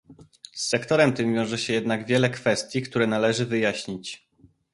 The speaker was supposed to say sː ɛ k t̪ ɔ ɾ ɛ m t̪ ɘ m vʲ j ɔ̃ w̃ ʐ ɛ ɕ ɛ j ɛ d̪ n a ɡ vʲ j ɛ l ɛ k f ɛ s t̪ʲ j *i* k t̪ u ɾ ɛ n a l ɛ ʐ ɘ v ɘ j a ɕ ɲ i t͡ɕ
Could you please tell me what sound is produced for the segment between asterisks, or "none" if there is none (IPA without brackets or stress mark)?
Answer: i